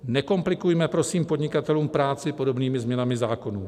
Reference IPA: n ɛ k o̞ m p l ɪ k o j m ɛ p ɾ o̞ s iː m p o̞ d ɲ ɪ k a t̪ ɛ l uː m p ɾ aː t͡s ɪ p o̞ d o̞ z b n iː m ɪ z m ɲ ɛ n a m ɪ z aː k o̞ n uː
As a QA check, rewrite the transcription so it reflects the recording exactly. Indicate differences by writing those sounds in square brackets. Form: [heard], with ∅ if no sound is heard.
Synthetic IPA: n ɛ k o̞ m p l ɪ k [u] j m ɛ p ɾ o̞ s iː m p o̞ d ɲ ɪ k a t̪ ɛ l uː m p ɾ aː t͡s ɪ p o̞ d o̞ [∅] b n iː m ɪ z m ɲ ɛ n a m ɪ z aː k o̞ n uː